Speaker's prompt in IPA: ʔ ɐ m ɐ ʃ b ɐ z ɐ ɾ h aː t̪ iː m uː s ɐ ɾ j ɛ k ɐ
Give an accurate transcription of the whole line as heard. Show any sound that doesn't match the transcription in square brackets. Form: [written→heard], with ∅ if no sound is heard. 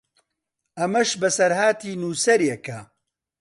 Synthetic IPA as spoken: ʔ ɐ m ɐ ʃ b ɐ [z→s] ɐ ɾ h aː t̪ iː [m→n] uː s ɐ ɾ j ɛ k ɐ